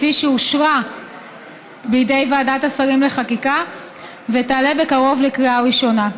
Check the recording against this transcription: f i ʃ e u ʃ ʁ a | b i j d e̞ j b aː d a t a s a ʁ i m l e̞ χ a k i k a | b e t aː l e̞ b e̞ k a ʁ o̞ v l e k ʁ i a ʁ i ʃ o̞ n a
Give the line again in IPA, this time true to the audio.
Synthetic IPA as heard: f i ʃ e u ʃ ʁ a | b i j d e̞ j v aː d a t a s a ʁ i m l e̞ χ a k i k a | v e t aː l e̞ b e̞ k a ʁ o̞ v l e k ʁ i a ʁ i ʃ o̞ n a